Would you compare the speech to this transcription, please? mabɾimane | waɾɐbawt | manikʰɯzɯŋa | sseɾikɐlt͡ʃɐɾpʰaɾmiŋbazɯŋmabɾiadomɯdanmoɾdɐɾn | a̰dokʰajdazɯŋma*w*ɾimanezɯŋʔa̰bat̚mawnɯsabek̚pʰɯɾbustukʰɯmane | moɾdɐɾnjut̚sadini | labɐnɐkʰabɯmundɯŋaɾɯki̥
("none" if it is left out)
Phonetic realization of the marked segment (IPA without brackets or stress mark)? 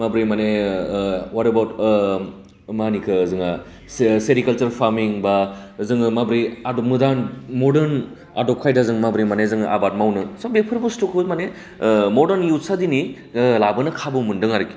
b